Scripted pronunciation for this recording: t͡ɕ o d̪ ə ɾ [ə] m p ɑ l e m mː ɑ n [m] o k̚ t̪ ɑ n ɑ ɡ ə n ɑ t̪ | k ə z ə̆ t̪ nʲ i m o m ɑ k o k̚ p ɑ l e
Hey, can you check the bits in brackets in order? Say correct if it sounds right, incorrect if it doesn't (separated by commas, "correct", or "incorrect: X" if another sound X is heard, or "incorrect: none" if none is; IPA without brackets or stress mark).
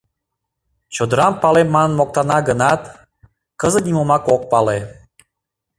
incorrect: ɑ, correct